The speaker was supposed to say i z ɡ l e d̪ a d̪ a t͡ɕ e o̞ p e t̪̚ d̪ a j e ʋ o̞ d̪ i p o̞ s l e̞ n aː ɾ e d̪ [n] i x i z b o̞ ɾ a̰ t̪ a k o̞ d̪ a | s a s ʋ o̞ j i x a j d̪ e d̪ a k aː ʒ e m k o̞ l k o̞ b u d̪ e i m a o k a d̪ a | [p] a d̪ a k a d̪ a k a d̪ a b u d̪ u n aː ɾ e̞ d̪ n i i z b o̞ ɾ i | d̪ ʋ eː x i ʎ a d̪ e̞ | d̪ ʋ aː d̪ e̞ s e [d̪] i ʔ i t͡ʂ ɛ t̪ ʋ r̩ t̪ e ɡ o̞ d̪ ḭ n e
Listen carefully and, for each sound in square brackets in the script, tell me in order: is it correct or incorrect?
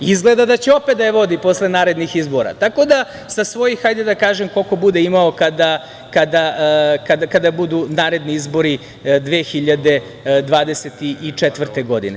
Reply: correct, incorrect: k, incorrect: t̪

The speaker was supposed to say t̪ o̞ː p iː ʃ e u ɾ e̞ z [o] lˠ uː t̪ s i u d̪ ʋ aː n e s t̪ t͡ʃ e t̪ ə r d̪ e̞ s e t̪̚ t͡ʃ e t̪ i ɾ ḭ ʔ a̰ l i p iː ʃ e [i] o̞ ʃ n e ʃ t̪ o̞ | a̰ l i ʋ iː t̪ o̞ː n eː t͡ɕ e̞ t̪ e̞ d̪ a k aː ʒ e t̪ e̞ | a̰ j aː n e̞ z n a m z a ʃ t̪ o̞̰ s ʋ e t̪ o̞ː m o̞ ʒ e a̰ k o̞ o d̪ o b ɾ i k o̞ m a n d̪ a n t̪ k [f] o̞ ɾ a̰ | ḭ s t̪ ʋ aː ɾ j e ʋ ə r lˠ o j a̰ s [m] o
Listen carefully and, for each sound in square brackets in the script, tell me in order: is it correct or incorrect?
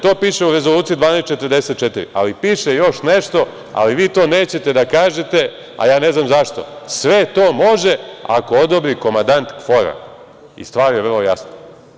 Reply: correct, incorrect: j, correct, incorrect: n

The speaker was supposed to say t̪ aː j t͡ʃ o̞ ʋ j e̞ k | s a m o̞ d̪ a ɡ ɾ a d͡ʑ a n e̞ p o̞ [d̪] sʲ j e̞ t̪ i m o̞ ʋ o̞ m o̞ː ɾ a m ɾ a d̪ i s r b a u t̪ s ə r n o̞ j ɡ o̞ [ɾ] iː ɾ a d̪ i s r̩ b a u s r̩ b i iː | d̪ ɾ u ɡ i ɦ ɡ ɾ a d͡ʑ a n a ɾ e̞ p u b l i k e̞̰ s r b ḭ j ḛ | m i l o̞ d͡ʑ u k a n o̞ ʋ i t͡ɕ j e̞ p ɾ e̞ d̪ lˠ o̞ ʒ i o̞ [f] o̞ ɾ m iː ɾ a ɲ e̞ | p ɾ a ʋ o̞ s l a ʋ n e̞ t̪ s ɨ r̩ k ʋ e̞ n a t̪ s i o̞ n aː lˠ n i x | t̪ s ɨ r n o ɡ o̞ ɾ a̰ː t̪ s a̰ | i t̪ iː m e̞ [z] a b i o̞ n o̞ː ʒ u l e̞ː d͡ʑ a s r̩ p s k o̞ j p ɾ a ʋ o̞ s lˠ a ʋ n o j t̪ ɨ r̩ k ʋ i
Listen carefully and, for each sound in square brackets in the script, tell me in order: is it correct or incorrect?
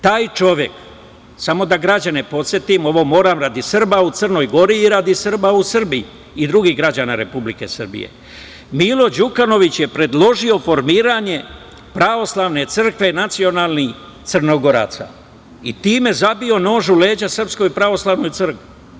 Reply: incorrect: t̪, correct, correct, correct

